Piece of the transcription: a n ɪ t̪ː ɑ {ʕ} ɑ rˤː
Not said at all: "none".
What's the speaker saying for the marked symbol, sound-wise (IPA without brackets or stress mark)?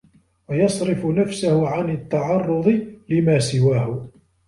ʕ